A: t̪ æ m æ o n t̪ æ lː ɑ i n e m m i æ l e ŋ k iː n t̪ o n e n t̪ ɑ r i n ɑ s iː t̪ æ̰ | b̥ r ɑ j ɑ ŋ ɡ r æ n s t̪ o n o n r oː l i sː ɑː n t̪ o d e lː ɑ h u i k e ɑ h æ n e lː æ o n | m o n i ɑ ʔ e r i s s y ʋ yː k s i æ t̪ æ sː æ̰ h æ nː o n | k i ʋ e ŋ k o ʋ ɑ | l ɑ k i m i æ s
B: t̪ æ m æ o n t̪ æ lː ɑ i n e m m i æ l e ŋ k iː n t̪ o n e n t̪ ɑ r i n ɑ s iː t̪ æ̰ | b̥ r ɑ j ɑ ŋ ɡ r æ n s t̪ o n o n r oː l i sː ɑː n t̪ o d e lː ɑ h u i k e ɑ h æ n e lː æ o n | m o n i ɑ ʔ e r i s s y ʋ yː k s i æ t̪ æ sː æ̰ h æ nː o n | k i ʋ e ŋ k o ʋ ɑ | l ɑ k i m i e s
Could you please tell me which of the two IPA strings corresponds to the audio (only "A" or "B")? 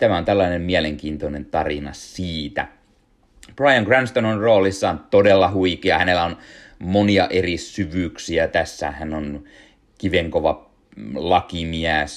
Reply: A